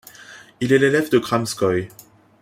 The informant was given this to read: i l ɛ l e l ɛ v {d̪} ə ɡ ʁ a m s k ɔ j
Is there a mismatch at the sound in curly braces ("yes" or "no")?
no